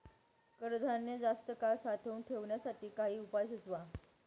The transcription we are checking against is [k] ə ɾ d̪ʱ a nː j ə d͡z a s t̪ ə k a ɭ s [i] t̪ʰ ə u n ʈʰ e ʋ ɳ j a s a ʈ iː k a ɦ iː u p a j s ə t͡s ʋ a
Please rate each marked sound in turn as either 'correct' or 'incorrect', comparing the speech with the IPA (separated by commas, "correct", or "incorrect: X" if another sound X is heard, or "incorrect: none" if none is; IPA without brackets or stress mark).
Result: correct, incorrect: a